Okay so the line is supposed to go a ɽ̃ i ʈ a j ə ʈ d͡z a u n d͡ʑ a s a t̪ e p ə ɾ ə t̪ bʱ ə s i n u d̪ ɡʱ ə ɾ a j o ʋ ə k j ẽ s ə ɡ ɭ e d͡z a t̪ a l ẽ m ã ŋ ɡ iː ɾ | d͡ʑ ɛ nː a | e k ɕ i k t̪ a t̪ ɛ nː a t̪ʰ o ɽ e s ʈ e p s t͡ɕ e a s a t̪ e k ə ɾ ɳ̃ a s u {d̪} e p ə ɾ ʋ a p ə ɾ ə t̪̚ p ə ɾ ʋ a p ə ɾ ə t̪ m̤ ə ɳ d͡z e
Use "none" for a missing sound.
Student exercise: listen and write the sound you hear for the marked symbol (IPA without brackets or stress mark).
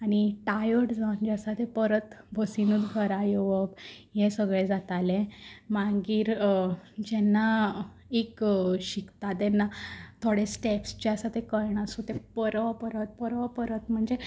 t̪